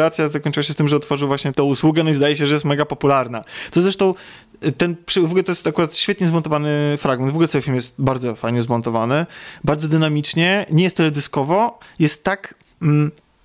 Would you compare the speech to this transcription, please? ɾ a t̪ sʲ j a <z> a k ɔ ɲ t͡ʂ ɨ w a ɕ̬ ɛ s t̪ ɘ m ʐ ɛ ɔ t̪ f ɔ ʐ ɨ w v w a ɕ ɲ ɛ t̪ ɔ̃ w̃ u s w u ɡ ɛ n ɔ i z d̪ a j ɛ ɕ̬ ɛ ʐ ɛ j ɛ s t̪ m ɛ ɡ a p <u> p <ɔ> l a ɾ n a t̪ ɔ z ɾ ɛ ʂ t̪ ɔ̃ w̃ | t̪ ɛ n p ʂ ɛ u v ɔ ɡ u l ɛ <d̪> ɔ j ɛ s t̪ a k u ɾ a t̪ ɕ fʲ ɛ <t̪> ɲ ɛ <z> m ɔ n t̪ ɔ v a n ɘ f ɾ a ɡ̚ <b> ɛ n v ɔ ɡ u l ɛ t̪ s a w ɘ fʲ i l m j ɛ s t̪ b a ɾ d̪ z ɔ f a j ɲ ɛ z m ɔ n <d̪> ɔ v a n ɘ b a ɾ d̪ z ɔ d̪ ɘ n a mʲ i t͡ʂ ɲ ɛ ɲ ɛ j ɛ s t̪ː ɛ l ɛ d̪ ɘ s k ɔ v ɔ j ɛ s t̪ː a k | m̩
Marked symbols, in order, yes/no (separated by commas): yes, no, no, no, yes, yes, no, no